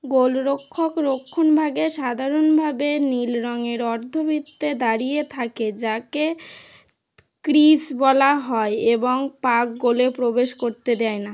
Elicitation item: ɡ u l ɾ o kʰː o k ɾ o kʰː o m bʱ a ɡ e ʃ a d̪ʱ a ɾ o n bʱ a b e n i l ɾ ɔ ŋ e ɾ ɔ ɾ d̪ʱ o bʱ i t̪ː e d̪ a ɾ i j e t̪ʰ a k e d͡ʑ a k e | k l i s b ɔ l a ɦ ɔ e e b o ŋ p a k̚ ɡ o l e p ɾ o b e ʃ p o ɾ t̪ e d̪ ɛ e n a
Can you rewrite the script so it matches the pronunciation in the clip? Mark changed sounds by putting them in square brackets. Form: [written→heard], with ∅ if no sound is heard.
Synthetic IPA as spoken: ɡ [u→o] l ɾ o kʰː o k ɾ o kʰː o [m→n] bʱ a ɡ e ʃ a d̪ʱ a ɾ o n bʱ a b e n i l ɾ ɔ ŋ e ɾ ɔ ɾ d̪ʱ o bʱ i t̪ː e d̪ a ɾ i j e t̪ʰ a k e d͡ʑ a k e | k [l→ɾ] i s b ɔ l a ɦ ɔ e e b o ŋ p a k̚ ɡ o l e p ɾ o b e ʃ [p→k] o ɾ t̪ e d̪ ɛ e n a